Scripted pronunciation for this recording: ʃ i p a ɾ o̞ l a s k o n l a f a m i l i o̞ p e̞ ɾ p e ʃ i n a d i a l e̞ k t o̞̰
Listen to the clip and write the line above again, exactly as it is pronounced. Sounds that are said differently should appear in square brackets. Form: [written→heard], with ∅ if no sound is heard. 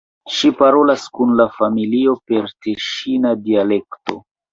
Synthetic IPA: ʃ i p a ɾ o̞ l a s k [o→u] n l a f a m i l i o̞ p e̞ ɾ [p→t] e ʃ i n a d i a l e̞ k t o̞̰

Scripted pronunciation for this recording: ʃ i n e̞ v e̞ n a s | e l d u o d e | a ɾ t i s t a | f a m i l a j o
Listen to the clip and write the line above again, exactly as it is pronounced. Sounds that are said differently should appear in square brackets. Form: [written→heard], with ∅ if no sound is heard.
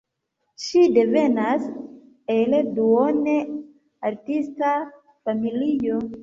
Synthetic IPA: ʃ i [n→d] e̞ v e̞ n a s | e l d u o [d→n] e | a ɾ t i s t a | f a m i l [a→i] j o

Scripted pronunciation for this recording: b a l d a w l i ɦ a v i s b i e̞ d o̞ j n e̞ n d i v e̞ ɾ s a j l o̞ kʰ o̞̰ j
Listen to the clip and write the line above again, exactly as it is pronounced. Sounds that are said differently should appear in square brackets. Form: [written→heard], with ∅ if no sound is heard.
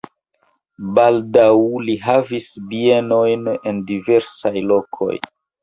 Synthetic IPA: b a l d a w l i ɦ a v i s b i e̞ [d→n] o̞ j n e̞ n d i v e̞ ɾ s a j l o̞ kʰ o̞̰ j

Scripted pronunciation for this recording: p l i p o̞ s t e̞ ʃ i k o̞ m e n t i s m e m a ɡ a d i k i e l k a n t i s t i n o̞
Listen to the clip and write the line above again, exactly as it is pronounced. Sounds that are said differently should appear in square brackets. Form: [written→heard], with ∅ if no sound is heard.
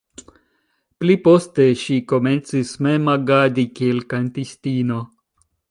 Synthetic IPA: p l i p o̞ s t e̞ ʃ i k o̞ m e n [t→t͡s] i s m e m a ɡ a d i k i e l k a n t i s t i n o̞

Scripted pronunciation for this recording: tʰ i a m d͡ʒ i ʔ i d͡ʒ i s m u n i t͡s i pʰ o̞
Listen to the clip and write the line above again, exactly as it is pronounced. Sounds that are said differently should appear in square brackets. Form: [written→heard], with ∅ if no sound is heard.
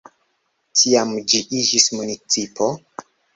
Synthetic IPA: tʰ i a m d͡ʒ i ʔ i d͡ʒ i s m u n i t͡s i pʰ o̞

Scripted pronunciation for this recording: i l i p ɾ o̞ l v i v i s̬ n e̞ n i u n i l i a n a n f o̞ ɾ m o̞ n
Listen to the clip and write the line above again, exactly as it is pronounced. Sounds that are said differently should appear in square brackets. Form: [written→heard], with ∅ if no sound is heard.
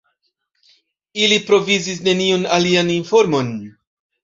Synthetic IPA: i l i p ɾ o̞ [l→∅] v i [v→z] i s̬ n e̞ n i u n [i→a] l i a n [a→i] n f o̞ ɾ m o̞ n

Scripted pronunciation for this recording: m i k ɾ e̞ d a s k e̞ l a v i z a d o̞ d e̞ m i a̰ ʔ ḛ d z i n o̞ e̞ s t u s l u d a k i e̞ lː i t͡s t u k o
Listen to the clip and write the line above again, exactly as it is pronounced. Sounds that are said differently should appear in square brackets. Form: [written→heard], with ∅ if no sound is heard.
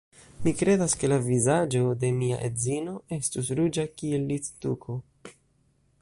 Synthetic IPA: m i k ɾ e̞ d a s k e̞ l a v i z a [d→d͡ʒ] o̞ d e̞ m i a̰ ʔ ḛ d z i n o̞ e̞ s t u s [l→ɾ] u [d→d͡ʒ] a k i e̞ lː i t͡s t u k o

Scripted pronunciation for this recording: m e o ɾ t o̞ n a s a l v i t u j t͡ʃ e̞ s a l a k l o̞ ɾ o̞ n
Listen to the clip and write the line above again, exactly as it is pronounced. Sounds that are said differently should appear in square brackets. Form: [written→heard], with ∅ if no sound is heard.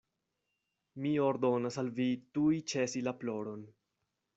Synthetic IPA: m [e→i] o ɾ [t→d] o̞ n a s a l v i t u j t͡ʃ e̞ s [a→i] l a [k→p] l o̞ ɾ o̞ n

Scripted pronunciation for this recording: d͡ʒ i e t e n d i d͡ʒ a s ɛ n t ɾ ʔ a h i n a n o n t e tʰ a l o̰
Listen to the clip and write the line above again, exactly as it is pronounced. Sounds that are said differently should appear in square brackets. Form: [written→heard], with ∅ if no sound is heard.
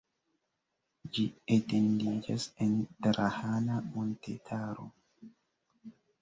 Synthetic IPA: d͡ʒ i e t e n d i d͡ʒ a s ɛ n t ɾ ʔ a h [i→a] n a [n→m] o n t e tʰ a [l→ɾ] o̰

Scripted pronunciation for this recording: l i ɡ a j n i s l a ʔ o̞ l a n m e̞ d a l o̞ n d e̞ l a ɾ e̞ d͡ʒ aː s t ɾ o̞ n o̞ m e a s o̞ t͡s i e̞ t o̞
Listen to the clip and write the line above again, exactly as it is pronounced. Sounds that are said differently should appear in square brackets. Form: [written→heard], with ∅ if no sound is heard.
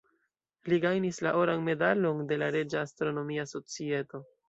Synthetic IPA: l i ɡ a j n i s l a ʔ o̞ [l→ɾ] a n m e̞ d a l o̞ n d e̞ l a ɾ e̞ d͡ʒ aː s t ɾ o̞ n o̞ m [e→i] a s o̞ t͡s i e̞ t o̞

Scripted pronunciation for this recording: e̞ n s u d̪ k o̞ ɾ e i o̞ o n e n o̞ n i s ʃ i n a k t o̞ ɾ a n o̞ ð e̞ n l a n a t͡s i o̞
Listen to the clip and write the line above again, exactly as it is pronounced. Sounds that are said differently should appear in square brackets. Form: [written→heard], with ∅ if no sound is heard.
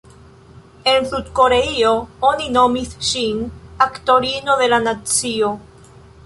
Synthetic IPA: e̞ n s u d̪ k o̞ ɾ e i o̞ o n [e→i] n o̞ [n→m] i s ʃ i n a k t o̞ ɾ [a→i] n o̞ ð e̞ [n→∅] l a n a t͡s i o̞

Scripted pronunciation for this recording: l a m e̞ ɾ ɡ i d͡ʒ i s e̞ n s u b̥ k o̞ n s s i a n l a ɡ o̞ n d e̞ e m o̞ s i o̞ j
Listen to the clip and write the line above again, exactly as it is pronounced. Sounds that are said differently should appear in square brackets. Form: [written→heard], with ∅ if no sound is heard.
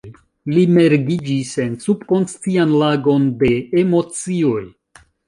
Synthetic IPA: l [a→i] m e̞ ɾ ɡ i d͡ʒ i s e̞ n s u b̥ k o̞ n s [s→t͡s] i a n l a ɡ o̞ n d e̞ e m o̞ [s→t͡s] i o̞ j

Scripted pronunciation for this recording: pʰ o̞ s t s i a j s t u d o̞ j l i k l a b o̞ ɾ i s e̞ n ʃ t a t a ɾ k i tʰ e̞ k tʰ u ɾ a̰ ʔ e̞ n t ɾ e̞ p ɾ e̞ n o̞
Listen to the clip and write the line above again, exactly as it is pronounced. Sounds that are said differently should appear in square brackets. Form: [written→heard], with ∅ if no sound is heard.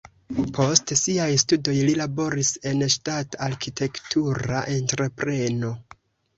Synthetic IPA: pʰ o̞ s t s i a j s t u d o̞ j l i [k→∅] l a b o̞ ɾ i s e̞ n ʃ t a t a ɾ k i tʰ e̞ k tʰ u ɾ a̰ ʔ e̞ n t ɾ e̞ p ɾ e̞ n o̞

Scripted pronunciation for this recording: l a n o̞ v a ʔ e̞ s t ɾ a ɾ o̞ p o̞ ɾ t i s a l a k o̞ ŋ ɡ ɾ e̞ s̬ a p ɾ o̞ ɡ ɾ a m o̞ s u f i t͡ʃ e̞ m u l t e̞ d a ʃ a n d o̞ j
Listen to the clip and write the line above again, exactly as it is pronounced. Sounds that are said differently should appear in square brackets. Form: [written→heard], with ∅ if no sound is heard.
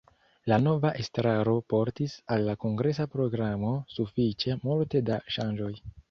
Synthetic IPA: l a n o̞ v a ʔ e̞ s t ɾ a ɾ o̞ p o̞ ɾ t i s a [l→lː] a k o̞ ŋ ɡ ɾ e̞ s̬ a p ɾ o̞ ɡ ɾ a m o̞ s u f i t͡ʃ e̞ m u l t e̞ d a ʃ a n [d→d͡ʒ] o̞ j

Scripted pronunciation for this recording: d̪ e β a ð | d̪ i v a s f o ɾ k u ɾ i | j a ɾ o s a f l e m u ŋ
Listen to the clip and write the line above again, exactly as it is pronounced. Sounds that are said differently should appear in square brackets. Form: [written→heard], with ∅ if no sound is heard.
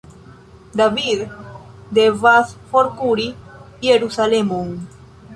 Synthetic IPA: d̪ [e→a] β [a→i] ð | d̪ [i→e] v a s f o ɾ k u ɾ i | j [a→e] ɾ [o→u] s a [f→∅] l e m u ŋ

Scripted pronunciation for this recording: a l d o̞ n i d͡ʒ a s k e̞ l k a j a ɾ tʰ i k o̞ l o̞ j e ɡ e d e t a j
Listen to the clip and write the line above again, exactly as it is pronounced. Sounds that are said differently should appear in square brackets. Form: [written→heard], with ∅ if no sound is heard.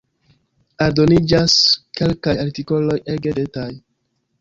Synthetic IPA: a [l→ɾ] d o̞ n i d͡ʒ a s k e̞ l k a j a ɾ [tʰ→t] i k o̞ l o̞ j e ɡ e d e t a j

